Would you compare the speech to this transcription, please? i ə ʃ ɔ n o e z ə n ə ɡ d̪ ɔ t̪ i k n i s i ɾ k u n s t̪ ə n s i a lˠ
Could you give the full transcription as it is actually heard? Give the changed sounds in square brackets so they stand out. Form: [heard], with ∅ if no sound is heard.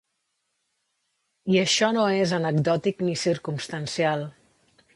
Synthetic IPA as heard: i ə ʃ ɔ n o e z ə n ə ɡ d̪ ɔ t̪ i k n i s i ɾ k u [m] s t̪ ə n s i a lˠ